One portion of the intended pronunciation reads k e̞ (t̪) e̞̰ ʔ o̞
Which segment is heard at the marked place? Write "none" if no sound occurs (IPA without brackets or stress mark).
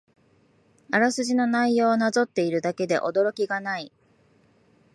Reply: d̪